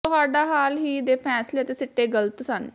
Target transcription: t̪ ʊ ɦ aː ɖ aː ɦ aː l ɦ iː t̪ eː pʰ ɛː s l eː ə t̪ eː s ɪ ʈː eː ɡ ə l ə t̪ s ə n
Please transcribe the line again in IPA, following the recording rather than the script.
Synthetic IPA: t̪ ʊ ɦ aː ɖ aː ɦ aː l ɦ iː d̪ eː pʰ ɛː s l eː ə t̪ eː s ɪ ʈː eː ɡ ə l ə t̪ s ə n

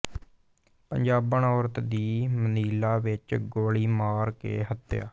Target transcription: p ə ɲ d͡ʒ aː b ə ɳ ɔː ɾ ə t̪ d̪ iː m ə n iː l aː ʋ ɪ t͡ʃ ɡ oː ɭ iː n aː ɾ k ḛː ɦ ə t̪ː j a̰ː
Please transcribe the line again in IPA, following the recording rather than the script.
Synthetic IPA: p ə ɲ d͡ʒ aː b ə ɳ ɔː ɾ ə t̪ d̪ iː m ə n iː l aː ʋ ɪ t͡ʃ ɡ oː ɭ iː m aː ɾ k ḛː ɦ ə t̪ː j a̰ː

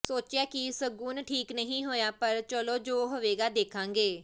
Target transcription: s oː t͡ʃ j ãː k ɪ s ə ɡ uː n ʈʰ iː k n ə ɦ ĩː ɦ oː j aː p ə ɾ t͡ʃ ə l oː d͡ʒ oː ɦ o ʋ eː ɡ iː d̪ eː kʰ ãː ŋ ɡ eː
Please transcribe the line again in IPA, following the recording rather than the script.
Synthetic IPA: s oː t͡ʃ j aː k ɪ s ə ɡ uː n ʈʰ iː k n ə ɦ ĩː ɦ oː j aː p ə ɾ t͡ʃ ə l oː d͡ʒ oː ɦ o ʋ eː ɡ aː d̪ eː kʰ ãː ŋ ɡ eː

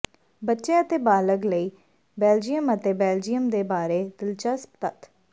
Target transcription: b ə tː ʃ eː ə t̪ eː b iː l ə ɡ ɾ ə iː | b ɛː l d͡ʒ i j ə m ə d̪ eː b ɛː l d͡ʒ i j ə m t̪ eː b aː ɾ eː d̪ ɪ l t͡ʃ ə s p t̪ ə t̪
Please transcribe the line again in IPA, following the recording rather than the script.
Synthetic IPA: b ə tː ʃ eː ə t̪ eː b aː l ə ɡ l ə iː | b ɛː l d͡ʒ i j ə m ə t̪ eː b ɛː l d͡ʒ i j ə m d̪ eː b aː ɾ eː d̪ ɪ l t͡ʃ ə s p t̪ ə t̪

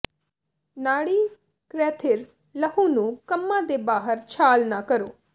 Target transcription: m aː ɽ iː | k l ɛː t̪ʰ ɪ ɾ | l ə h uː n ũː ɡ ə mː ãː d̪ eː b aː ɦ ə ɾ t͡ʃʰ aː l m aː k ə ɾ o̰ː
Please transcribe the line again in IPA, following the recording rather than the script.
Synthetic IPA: n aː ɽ iː | k ɾ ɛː t̪ʰ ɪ ɾ | l ə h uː n ũː k ə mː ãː d̪ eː b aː ɦ ə ɾ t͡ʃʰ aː l n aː k ə ɾ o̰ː

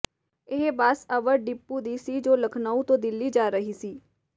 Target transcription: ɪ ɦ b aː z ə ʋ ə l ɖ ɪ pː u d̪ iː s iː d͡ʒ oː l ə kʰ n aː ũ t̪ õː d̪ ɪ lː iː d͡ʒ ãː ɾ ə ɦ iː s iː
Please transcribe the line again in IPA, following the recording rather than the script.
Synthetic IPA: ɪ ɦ b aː s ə ʋ ə ɾ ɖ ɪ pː u d̪ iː s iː d͡ʒ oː l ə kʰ n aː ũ t̪ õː d̪ ɪ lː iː d͡ʒ aː ɾ ə ɦ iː s iː

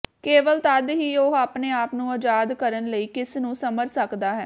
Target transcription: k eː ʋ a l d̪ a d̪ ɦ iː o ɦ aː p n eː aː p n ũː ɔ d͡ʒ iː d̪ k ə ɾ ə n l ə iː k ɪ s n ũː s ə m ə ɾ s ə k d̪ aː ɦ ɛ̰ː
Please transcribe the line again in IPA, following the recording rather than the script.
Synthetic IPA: k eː ʋ ə l t̪ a d̪ ɦ iː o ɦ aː p n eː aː p n ũː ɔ d͡ʒ aː d̪ k ə ɾ ə n l ə iː k ɪ s n ũː s ə m ə ɾ s ə k d̪ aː ɦ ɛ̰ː

